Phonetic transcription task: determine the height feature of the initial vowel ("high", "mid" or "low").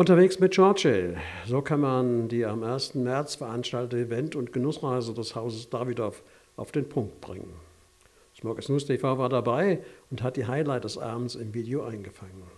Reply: high